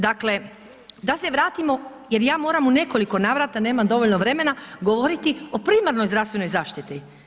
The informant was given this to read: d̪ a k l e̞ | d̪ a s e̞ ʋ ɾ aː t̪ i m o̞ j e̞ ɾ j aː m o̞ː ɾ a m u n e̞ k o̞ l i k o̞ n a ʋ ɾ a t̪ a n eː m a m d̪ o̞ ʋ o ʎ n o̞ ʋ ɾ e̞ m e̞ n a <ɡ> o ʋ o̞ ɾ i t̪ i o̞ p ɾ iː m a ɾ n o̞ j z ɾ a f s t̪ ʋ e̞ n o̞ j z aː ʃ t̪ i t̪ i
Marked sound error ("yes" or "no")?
no